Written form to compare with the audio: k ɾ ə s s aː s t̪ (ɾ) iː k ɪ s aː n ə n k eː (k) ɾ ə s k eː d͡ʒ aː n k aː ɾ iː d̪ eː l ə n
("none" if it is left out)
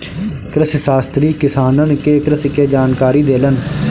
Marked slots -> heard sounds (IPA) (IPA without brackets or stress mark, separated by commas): ɾ, k